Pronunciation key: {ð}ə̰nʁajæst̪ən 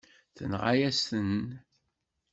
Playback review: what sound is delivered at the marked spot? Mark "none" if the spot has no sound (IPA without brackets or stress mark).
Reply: θ